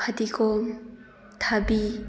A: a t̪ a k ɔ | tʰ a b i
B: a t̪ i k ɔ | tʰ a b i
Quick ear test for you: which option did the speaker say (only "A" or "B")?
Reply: B